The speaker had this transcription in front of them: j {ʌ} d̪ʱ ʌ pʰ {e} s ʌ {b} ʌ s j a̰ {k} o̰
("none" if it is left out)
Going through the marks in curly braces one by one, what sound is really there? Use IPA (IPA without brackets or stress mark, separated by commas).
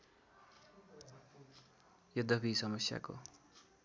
ʌ, i, m, k